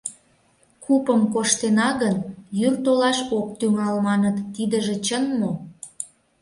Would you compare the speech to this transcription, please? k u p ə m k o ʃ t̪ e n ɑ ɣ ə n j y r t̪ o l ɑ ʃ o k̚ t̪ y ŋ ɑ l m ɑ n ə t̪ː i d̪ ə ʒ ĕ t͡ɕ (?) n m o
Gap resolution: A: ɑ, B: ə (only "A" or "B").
B